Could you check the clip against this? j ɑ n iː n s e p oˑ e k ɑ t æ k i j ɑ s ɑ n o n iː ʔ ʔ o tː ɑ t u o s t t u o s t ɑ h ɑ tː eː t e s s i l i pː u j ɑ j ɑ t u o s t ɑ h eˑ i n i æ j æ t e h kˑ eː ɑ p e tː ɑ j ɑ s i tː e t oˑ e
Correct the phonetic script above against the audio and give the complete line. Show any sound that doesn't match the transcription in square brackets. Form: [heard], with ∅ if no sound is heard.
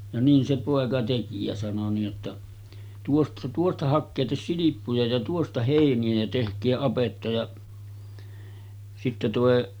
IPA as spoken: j ɑ n iː n s e p oˑ e k ɑ t [e] k i j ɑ s ɑ n o n iː ʔ ʔ o tː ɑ t u o s t t u o s t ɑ h ɑ [kː] eː t e s s i l i pː u j ɑ j ɑ t u o s t ɑ h eˑ i n i æ j æ t e h kˑ eː ɑ p e tː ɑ j ɑ s i tː e t oˑ e